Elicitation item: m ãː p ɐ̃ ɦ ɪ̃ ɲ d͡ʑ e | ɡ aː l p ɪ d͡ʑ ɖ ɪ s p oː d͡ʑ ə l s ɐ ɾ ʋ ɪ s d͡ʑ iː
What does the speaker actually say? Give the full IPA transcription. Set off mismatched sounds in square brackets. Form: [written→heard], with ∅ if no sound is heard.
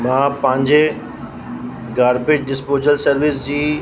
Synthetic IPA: m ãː p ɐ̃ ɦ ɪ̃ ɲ d͡ʑ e | ɡ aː [l→ɾ] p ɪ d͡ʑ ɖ ɪ s p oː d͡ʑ ə l s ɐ ɾ ʋ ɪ s d͡ʑ iː